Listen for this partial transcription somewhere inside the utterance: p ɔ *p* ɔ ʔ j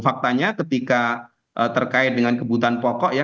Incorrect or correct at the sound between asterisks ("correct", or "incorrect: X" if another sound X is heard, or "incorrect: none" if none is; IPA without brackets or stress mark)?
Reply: incorrect: k